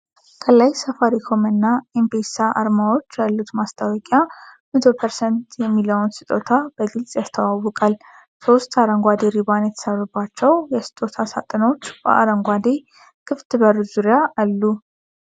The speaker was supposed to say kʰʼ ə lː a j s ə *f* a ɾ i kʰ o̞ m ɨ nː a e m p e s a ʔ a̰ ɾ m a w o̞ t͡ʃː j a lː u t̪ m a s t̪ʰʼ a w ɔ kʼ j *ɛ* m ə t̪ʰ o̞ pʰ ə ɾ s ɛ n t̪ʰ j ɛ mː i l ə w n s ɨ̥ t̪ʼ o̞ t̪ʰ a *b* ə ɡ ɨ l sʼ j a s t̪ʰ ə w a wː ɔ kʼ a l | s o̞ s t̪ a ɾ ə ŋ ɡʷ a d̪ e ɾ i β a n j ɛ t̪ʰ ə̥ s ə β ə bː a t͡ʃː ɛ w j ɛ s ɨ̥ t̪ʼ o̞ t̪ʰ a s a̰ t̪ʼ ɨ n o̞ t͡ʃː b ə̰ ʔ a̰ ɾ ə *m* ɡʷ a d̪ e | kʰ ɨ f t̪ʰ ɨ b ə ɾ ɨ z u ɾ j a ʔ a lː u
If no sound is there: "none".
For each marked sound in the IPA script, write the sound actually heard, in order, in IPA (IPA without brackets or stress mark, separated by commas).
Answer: f, a, b, ŋ